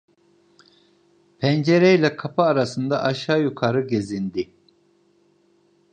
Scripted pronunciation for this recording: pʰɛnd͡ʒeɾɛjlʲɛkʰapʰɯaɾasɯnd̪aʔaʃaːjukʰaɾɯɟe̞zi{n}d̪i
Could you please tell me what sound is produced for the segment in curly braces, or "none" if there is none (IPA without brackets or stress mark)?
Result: n